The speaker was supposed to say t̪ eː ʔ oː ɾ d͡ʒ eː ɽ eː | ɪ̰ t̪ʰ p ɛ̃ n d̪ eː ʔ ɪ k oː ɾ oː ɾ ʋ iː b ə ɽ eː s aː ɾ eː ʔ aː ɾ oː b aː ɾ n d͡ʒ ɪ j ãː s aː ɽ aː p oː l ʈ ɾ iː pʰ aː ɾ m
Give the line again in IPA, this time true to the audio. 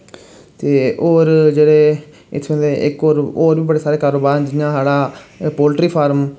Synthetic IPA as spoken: t̪ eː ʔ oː ɾ d͡ʒ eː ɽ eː | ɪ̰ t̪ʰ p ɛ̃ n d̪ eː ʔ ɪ k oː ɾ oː ɾ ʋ iː b ə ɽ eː s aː ɾ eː k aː ɾ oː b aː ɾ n d͡ʒ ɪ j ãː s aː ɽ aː p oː l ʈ ɾ iː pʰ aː ɾ m